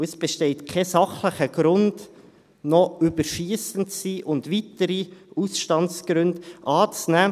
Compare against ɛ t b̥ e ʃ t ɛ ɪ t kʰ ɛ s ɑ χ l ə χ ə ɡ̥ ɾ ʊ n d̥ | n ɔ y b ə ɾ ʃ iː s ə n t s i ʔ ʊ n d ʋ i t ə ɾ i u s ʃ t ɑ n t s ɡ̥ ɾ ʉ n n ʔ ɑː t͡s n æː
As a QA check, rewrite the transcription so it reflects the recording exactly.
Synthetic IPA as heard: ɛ s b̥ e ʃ t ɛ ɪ t kʰ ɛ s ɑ χ l ə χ ə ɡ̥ ɾ ʊ n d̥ | n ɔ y b ə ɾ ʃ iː s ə n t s i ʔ ʊ n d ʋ i t ə ɾ i u s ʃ t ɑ n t s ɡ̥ ɾ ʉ n d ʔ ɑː t͡s n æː